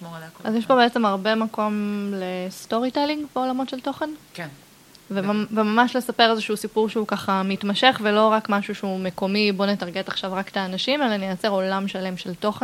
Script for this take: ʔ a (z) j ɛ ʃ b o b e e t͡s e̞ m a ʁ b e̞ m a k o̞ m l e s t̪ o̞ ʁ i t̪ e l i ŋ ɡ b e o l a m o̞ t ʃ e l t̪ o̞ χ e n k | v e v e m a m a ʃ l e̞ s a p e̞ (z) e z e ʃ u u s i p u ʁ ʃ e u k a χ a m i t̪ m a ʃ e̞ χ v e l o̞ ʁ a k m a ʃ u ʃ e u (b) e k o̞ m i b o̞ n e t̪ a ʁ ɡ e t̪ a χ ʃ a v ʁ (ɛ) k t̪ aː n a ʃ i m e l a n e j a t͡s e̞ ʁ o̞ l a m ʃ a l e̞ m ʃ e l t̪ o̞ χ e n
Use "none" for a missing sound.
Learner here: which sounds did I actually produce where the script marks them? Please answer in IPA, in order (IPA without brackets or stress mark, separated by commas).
z, ʁ, m, a